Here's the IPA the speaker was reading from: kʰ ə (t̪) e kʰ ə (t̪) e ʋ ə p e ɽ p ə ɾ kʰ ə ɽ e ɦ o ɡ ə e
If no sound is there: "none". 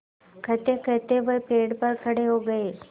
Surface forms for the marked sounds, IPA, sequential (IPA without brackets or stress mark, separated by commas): t̪, t̪